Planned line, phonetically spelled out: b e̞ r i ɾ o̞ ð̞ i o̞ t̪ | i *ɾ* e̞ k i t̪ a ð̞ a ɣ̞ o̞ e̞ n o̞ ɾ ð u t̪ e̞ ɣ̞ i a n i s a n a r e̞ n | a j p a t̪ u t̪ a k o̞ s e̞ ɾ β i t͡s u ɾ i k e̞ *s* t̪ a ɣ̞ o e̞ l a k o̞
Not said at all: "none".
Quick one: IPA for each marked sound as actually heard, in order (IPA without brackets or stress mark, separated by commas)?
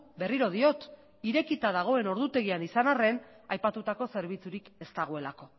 ɾ, s